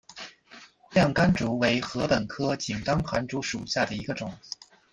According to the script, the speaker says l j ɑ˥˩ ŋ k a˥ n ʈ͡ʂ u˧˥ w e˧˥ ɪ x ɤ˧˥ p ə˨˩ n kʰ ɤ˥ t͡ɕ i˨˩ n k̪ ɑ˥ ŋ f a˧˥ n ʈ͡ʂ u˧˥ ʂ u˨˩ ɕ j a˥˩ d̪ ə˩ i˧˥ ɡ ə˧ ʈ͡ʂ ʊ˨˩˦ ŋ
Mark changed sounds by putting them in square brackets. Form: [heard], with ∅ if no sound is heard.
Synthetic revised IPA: l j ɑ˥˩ ŋ k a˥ n ʈ͡ʂ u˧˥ w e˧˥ ɪ x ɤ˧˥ p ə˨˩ n kʰ ɤ˥ t͡ɕ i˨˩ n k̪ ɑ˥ ŋ [x] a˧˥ n ʈ͡ʂ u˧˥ ʂ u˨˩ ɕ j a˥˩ d̪ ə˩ i˧˥ ɡ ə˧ ʈ͡ʂ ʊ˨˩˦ ŋ